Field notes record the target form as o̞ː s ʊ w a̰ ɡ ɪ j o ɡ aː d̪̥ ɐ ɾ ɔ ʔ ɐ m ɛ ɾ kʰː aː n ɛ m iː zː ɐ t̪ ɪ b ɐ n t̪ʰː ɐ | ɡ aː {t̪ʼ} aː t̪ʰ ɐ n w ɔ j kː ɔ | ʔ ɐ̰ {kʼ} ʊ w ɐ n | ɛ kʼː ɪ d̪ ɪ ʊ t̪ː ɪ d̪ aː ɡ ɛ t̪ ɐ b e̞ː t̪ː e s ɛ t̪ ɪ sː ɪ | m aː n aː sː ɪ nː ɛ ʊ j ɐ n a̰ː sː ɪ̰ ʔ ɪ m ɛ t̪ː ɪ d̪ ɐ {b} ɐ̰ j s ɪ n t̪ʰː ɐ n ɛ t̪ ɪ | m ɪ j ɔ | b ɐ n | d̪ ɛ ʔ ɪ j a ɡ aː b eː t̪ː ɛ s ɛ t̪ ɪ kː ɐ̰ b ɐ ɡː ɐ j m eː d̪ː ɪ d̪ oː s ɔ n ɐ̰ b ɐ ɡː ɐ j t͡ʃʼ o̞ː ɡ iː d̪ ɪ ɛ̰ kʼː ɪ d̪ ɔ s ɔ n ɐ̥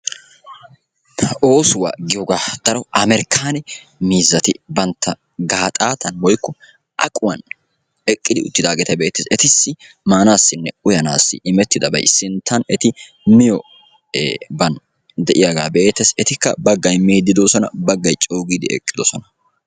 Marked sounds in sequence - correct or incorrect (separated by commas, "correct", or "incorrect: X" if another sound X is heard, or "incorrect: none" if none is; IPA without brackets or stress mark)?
correct, correct, correct